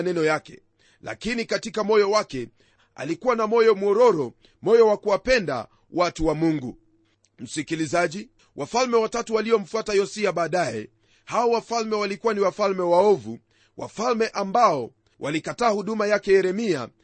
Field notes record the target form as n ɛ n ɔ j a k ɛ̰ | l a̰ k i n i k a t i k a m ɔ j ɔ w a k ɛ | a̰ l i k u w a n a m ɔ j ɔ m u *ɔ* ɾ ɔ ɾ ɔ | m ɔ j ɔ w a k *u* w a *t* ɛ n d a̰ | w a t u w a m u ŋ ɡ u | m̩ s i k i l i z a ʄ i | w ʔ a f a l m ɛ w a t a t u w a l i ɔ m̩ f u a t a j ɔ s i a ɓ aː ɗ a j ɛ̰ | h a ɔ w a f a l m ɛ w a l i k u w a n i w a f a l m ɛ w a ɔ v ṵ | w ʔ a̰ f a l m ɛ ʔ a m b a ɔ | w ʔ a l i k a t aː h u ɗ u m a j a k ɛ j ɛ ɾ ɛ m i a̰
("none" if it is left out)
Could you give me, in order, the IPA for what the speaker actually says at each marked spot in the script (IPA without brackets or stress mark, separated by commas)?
ɔ, u, p